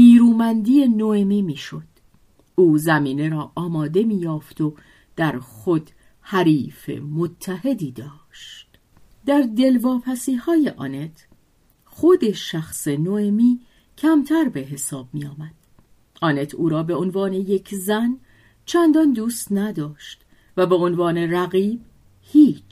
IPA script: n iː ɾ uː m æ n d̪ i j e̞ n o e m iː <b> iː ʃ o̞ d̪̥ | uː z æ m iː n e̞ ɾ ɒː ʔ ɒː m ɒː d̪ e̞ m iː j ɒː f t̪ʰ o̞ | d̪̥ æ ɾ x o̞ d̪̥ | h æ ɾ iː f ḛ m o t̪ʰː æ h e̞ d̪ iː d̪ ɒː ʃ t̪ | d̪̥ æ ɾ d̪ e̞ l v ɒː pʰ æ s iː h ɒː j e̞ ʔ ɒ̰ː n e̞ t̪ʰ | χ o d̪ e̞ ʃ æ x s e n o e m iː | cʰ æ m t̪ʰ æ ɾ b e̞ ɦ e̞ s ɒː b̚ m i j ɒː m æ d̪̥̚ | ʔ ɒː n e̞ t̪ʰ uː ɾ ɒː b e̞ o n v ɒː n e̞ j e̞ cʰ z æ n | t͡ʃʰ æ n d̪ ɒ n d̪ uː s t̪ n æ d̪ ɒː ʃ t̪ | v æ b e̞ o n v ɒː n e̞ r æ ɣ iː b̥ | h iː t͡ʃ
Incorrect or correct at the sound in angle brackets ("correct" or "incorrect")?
incorrect